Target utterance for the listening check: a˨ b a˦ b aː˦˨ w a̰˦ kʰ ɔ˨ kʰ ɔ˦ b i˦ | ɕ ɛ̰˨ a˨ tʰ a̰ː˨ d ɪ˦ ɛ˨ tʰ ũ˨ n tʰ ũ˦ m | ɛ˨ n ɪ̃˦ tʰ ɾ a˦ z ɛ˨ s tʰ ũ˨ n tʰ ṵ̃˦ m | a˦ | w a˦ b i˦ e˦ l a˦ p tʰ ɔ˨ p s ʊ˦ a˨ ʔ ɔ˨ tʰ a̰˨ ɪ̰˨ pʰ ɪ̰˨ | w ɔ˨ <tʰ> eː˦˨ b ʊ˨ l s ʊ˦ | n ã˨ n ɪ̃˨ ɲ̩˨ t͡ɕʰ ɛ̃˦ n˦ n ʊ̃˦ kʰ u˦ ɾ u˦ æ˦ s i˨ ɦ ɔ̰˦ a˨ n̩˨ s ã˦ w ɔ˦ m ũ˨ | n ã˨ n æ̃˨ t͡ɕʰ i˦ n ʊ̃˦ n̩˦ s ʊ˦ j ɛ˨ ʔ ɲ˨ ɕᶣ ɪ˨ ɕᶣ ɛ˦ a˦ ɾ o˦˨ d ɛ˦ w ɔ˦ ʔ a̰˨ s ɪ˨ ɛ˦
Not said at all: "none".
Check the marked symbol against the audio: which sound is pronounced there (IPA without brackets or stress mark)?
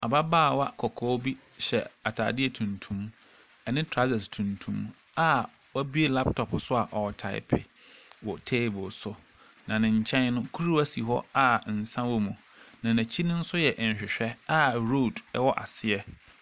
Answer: tʰ